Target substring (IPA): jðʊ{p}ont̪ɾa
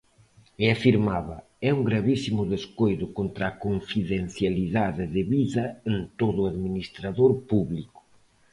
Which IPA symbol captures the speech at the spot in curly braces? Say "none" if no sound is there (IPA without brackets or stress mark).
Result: k